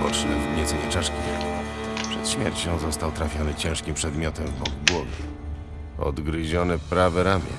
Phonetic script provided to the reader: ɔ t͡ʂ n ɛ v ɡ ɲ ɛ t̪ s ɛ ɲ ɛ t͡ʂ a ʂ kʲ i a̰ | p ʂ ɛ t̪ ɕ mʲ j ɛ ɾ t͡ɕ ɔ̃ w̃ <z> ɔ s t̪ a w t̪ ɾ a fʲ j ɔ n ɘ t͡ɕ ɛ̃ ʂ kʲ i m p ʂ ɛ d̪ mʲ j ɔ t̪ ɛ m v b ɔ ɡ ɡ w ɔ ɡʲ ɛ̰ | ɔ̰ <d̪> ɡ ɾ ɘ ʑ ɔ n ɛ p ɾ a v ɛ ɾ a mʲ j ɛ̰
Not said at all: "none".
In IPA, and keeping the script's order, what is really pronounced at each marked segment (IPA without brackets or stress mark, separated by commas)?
z, d̪